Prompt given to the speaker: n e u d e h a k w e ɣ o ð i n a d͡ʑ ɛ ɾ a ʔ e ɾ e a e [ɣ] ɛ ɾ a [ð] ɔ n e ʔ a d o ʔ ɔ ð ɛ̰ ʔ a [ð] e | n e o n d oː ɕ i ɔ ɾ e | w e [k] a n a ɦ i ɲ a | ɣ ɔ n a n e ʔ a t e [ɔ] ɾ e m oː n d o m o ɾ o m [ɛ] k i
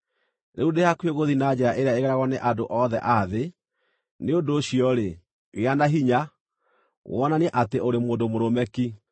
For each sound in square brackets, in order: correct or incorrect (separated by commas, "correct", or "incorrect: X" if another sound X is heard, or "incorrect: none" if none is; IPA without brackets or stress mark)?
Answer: correct, incorrect: ɣ, correct, incorrect: none, incorrect: o, correct